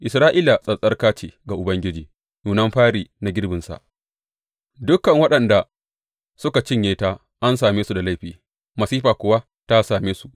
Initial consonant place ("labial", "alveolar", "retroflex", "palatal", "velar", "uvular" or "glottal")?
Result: glottal